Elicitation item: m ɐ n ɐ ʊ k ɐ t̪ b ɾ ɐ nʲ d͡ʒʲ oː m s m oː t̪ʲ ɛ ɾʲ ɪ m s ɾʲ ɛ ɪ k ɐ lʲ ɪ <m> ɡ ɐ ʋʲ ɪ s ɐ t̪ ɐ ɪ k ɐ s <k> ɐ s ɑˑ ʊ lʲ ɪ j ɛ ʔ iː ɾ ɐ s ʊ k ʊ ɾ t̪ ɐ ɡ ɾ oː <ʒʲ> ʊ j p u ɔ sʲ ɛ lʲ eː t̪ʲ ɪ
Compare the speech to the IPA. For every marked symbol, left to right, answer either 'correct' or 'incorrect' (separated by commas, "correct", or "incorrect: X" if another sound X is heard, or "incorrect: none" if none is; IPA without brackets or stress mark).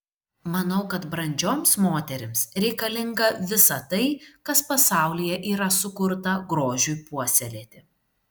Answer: incorrect: ŋ, incorrect: p, correct